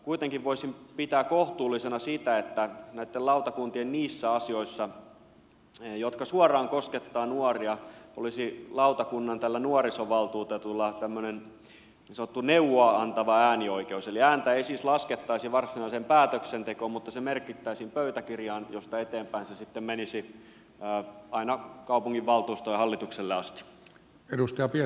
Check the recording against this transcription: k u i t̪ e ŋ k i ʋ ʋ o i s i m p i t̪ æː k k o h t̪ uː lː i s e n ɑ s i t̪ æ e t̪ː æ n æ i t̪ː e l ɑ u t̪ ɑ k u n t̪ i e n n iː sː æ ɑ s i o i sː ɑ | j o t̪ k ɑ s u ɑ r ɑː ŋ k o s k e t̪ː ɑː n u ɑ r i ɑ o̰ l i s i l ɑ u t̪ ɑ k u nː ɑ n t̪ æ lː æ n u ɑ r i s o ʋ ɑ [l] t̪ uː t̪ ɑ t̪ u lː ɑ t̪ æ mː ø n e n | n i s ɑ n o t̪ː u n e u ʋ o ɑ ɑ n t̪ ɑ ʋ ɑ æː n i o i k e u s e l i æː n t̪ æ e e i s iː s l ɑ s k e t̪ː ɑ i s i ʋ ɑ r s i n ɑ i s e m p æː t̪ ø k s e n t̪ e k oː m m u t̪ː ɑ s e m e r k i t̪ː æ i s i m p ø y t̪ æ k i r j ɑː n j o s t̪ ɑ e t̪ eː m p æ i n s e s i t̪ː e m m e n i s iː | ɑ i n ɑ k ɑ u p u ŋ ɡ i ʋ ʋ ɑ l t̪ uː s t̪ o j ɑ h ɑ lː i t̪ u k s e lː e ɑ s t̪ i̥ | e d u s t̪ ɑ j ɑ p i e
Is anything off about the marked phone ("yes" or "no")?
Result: no